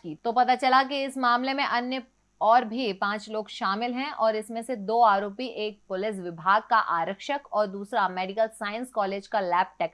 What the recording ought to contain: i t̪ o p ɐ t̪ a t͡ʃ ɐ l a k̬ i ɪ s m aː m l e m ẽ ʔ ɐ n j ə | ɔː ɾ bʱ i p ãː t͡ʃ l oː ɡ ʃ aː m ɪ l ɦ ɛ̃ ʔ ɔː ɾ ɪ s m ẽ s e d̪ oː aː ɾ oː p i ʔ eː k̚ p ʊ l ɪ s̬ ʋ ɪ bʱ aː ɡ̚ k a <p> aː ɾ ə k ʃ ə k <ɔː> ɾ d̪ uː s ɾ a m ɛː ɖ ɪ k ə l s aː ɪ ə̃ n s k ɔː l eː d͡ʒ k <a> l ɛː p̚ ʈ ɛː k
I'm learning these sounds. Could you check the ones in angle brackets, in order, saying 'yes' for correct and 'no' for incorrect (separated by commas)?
no, yes, yes